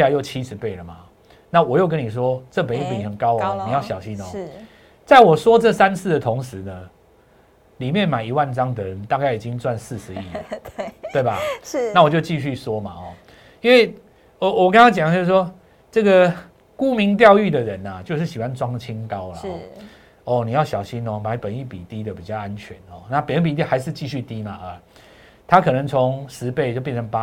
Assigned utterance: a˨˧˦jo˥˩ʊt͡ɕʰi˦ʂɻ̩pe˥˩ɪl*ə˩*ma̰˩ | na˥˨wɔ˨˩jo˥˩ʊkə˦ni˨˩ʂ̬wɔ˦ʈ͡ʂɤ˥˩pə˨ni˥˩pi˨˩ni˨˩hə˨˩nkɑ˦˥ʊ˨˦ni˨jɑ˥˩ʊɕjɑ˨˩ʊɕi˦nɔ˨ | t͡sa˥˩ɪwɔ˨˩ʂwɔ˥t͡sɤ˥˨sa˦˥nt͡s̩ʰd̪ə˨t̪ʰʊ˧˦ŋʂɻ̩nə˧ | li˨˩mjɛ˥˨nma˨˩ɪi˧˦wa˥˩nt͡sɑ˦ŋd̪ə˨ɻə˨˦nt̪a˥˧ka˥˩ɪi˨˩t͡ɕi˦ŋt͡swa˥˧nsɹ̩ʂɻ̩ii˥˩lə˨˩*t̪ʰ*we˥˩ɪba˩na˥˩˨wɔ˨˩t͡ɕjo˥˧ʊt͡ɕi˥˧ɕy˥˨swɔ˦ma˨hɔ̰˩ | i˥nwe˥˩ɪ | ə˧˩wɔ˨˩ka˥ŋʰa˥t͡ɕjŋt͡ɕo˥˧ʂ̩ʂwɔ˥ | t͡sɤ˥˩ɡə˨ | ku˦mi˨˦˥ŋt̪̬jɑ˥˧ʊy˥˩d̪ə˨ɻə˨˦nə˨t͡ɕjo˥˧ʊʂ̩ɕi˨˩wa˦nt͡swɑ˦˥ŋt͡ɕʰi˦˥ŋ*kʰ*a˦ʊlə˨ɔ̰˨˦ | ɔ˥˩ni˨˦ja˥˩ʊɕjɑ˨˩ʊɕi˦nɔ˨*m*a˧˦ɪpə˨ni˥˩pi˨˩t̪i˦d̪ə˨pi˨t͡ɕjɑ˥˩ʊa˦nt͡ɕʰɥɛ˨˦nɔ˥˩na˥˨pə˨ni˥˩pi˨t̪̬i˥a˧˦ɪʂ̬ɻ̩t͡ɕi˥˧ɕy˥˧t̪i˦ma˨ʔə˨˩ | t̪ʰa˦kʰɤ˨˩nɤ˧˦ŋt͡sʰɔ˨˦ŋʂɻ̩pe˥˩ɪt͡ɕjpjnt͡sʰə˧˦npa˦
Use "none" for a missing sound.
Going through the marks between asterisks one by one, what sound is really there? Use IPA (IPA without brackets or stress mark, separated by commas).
ə˩, t̪, k, m